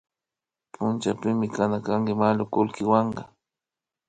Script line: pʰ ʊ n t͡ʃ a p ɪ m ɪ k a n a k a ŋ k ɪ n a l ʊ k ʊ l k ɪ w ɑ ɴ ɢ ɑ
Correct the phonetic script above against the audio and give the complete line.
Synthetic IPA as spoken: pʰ ʊ n t͡ʃ a p ɪ m ɪ k a n a k a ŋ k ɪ m a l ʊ k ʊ l k ɪ w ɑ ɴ ɢ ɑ